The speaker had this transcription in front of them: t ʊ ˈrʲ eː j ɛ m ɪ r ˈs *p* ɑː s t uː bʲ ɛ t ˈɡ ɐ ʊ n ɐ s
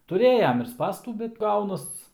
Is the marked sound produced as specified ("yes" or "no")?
yes